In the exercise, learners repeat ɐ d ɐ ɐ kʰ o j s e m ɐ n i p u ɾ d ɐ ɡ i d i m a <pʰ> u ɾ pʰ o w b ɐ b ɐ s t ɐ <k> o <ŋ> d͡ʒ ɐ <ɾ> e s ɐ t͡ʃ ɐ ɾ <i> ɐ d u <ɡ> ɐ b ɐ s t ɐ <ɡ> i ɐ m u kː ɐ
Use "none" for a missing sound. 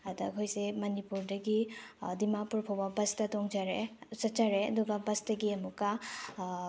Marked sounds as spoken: p, t, ŋ, ɾ, e, ɡ, ɡ

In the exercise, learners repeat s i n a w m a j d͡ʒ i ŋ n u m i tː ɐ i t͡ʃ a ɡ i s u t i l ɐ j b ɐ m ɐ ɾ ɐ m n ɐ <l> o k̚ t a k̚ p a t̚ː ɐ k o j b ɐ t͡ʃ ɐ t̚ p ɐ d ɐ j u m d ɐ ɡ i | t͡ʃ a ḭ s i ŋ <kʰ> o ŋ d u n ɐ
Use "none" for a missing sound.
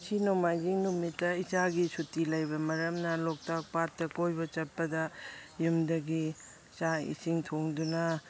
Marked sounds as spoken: l, tʰ

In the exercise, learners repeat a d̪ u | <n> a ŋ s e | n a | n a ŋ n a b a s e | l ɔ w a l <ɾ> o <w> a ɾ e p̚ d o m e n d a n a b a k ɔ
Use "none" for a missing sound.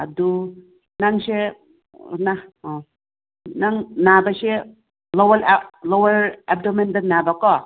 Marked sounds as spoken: n, l, w

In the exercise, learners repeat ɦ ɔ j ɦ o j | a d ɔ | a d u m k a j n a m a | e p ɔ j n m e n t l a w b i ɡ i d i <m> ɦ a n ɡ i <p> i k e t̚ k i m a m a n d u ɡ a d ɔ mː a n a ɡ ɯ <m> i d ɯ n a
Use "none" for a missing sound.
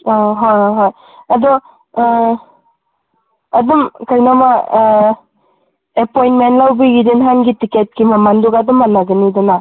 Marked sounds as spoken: n, t, n

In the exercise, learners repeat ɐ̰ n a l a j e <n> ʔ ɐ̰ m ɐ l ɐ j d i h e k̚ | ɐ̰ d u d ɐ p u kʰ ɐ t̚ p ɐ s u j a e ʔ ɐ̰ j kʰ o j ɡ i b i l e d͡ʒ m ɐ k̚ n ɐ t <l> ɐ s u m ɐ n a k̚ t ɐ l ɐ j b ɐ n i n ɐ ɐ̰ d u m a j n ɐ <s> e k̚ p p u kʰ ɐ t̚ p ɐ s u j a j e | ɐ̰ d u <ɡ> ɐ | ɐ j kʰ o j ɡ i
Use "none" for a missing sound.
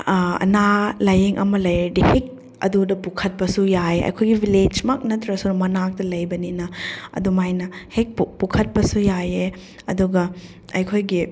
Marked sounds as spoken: ŋ, ɾ, h, ɡ

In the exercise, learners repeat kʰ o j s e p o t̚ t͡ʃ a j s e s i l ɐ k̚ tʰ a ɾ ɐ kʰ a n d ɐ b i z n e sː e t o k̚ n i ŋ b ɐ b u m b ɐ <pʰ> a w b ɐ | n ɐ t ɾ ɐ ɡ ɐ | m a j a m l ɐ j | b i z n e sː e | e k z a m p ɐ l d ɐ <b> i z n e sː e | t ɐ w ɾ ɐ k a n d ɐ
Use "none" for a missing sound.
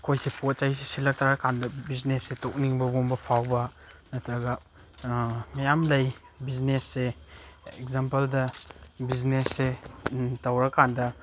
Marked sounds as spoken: pʰ, b

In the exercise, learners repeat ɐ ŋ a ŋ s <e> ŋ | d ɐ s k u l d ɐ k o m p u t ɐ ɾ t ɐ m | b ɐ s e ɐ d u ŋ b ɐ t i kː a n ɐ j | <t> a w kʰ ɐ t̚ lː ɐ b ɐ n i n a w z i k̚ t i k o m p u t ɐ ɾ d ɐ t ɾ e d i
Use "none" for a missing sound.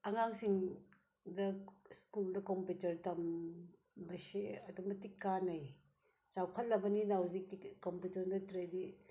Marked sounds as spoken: i, t͡ʃ

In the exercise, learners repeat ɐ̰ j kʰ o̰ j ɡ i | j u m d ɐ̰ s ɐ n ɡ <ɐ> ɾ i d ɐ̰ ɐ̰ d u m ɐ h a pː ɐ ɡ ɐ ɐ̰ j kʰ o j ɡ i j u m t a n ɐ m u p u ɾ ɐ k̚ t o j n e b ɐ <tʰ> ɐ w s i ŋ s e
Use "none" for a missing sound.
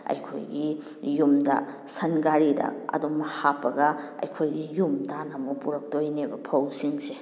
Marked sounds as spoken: a, pʰ

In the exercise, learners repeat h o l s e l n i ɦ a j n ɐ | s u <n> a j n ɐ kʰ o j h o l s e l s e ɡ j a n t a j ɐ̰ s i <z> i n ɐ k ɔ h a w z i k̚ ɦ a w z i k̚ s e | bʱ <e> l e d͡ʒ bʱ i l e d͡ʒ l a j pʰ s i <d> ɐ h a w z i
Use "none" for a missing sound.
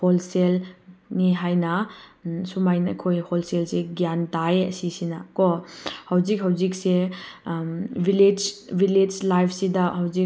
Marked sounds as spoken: m, s, i, d

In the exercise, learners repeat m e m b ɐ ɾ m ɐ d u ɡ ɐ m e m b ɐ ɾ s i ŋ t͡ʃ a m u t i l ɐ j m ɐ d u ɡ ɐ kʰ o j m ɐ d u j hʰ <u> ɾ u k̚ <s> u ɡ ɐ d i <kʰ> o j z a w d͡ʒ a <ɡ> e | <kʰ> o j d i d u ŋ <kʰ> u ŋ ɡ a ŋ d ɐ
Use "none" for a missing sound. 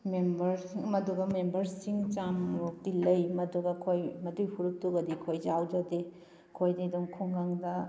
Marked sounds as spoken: u, t, kʰ, d, kʰ, kʰ

